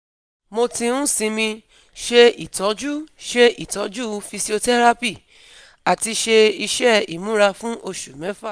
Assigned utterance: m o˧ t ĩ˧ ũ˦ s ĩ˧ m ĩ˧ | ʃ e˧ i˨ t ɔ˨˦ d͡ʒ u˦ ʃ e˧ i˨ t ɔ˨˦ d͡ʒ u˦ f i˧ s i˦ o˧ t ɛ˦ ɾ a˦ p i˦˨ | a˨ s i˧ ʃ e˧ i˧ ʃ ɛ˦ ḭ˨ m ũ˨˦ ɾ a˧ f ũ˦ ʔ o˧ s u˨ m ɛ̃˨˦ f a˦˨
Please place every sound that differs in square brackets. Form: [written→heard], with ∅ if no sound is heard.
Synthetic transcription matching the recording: m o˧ t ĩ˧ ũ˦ s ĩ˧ m ĩ˧ | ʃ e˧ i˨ t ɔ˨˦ d͡ʒ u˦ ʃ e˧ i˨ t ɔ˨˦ d͡ʒ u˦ f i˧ s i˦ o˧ t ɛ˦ ɾ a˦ p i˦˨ | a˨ [s→t] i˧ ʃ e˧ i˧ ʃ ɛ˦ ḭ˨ m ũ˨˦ ɾ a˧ f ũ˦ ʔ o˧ [s→ʃ] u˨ m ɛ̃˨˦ f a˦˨